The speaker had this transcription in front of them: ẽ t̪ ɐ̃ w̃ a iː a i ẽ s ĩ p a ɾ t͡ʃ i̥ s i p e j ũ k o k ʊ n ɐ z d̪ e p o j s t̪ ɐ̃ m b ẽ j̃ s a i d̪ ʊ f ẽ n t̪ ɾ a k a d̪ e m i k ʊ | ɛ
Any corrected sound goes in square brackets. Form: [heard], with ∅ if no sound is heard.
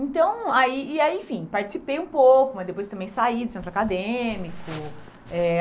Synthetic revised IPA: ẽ t̪ ɐ̃ w̃ a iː a i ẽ [f] ĩ p a ɾ t͡ʃ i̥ s i p e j ũ [p] o k ʊ [m] ɐ z d̪ e p o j s t̪ ɐ̃ m b ẽ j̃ s a i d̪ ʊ [s] ẽ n t̪ ɾ a k a d̪ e m i k ʊ | ɛ